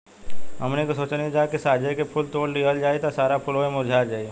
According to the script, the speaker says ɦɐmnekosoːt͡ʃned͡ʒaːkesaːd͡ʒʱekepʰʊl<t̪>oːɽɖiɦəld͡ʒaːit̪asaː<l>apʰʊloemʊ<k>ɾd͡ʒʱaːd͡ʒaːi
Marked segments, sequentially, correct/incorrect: correct, incorrect: ɾ, incorrect: none

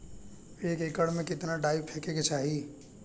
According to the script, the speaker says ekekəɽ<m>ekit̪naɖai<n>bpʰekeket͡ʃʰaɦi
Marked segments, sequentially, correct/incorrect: correct, incorrect: none

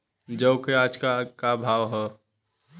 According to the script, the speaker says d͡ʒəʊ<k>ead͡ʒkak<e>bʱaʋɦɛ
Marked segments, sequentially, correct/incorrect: correct, incorrect: a

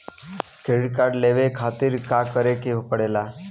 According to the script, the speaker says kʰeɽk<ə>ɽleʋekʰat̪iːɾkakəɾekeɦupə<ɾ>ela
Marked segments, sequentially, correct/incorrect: incorrect: a, incorrect: ɽ

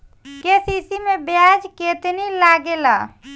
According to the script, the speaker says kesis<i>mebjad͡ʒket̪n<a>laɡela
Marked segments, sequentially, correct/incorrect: correct, incorrect: i

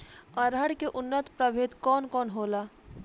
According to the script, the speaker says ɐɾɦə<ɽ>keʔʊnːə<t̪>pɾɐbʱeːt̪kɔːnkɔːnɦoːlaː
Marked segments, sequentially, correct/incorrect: correct, correct

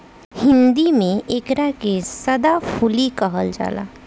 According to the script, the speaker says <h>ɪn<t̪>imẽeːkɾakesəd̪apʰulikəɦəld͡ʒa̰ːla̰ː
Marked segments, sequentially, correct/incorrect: correct, incorrect: d̪

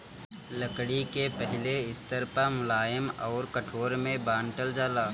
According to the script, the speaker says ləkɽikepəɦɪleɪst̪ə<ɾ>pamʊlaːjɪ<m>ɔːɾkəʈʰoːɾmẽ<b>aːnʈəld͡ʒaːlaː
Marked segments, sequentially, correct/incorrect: correct, correct, correct

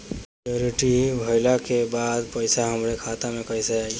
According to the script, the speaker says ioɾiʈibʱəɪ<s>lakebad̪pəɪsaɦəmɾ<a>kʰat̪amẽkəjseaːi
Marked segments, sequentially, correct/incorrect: incorrect: none, incorrect: e

